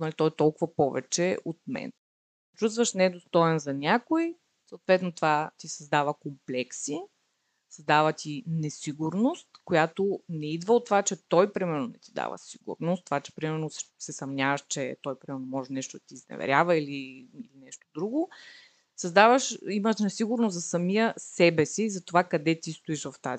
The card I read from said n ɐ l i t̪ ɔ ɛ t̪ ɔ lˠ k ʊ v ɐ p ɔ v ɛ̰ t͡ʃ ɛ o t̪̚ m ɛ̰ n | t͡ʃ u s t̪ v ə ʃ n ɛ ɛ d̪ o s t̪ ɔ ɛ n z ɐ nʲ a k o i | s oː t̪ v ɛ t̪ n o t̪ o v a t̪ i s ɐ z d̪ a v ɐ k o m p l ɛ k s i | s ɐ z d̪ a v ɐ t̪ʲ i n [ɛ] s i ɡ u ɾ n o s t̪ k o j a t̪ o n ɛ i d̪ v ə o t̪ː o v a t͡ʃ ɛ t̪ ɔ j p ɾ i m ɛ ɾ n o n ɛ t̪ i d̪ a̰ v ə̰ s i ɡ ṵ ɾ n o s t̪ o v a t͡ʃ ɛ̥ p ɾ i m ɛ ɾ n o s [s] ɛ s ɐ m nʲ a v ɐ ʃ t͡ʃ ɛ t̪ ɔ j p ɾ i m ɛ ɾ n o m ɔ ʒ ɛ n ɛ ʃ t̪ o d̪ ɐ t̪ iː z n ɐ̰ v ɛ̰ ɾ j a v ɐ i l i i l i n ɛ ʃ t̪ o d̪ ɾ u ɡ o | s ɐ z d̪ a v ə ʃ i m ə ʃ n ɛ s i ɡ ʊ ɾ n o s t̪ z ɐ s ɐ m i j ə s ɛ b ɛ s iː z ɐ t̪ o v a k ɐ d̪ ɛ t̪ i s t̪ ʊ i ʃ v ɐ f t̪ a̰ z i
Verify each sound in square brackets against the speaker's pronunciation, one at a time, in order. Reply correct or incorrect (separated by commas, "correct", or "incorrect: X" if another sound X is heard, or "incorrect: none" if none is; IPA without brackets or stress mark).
correct, correct